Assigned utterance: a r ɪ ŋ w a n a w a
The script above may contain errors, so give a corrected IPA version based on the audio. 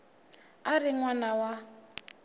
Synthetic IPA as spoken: a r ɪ ŋ w a n a w a

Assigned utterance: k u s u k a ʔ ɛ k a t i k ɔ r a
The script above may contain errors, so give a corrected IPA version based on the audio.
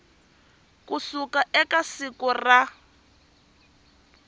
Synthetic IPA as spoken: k u s u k a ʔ ɛ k a s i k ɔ r a

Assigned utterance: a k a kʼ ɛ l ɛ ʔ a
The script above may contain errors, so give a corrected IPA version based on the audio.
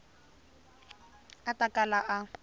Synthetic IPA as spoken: a t a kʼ a l a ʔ a

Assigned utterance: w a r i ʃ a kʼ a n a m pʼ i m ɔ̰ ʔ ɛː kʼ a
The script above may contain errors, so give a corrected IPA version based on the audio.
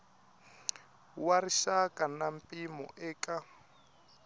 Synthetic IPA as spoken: w a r i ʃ a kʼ a n a m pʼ i m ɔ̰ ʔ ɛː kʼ a

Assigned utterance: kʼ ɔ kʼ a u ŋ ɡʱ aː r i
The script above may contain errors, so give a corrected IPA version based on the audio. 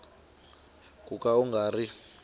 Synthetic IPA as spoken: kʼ u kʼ a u ŋ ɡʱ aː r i

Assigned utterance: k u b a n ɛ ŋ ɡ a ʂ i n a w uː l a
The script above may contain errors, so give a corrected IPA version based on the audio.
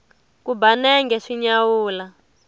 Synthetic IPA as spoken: k u b a n ɛ ŋ ɡ ɛ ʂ i ɲ a w uː l a

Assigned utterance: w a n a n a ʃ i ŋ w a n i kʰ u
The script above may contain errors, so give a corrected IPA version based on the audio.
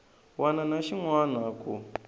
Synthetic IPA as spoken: w a n a n a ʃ i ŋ w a n a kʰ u

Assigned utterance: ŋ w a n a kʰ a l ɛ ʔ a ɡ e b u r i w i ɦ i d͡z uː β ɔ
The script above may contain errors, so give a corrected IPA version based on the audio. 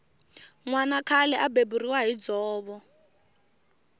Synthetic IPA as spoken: ŋ w a n a kʰ a l ɛ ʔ a b e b u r i w a ɦ i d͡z ɔː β ɔ

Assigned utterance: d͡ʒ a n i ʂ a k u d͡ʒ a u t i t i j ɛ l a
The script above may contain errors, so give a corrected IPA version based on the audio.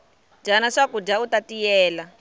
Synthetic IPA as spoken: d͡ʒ a n a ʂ a k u d͡ʒ a u t a t i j ɛː l a

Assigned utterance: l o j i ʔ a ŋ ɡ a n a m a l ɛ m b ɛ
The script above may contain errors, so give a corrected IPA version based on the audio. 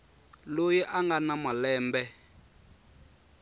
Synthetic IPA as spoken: l o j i ʔ a ŋ ɡ a n a m a l ɛː m b ɛ

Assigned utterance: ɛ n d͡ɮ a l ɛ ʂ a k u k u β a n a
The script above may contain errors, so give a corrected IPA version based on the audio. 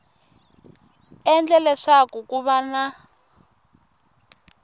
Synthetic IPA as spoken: ɛ n d͡ɮ ɛ l ɛ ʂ a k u k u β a n a

